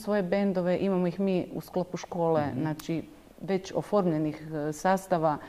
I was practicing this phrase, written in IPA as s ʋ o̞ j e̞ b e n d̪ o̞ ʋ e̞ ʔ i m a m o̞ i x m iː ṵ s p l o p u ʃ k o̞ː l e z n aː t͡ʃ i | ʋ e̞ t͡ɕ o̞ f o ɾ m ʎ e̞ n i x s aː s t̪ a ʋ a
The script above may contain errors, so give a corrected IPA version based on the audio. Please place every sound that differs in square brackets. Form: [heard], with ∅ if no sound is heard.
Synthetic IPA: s ʋ o̞ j e̞ b e n d̪ o̞ ʋ e̞ ʔ i m a m o̞ i x m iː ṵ s [k] l o p u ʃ k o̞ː l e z n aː t͡ʃ i | ʋ e̞ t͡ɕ o̞ f o ɾ m ʎ e̞ n i x s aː s t̪ a ʋ a